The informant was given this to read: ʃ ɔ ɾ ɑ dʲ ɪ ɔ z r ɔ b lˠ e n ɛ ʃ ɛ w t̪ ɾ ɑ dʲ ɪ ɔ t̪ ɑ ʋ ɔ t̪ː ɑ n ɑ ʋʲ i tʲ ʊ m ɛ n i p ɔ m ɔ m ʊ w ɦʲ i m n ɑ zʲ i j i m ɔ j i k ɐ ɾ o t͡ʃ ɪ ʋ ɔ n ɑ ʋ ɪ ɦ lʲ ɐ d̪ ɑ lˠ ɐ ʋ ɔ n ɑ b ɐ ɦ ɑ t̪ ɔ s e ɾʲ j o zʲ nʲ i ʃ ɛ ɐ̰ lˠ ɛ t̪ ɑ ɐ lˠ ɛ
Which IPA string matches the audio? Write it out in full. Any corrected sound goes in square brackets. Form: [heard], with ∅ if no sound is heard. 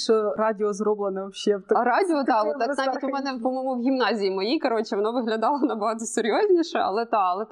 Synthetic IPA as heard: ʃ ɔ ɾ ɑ dʲ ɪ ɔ z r ɔ b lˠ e n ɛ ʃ ɛ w t̪ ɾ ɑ dʲ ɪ ɔ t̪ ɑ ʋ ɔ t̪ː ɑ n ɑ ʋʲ i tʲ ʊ m ɛ n [ɛ] p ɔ m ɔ m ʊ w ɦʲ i m n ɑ zʲ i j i m ɔ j i k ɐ ɾ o t͡ʃ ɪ ʋ ɔ n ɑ ʋ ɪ ɦ lʲ ɐ d̪ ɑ lˠ ɐ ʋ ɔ n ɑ b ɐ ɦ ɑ t̪ ɔ s e ɾʲ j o zʲ nʲ i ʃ ɛ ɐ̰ lˠ ɛ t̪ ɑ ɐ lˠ ɛ